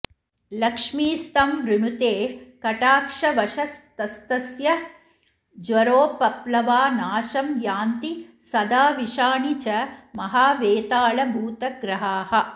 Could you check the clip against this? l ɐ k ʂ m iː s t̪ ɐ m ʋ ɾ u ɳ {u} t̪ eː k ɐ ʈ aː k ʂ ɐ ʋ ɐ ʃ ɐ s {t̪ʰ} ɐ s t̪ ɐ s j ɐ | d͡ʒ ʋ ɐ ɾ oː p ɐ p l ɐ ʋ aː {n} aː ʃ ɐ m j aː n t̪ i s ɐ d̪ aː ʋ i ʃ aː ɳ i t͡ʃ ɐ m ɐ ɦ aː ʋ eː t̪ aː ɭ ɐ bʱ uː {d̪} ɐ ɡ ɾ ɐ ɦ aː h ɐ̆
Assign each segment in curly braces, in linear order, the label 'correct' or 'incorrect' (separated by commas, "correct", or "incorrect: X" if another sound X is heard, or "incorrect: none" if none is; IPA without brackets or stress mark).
correct, incorrect: t̪, correct, incorrect: t̪